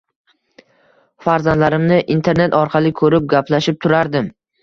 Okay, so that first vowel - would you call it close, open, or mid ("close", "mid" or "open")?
open